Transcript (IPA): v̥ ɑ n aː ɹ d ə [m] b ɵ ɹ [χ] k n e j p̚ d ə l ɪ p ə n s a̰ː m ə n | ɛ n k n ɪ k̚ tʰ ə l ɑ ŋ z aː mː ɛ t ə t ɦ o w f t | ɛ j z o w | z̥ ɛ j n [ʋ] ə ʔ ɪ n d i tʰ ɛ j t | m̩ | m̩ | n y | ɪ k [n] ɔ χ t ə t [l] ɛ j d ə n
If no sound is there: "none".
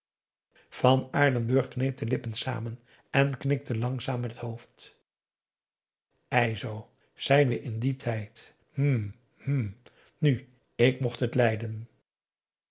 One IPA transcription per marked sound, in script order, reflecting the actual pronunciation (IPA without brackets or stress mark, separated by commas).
n, χ, ʋ, m, l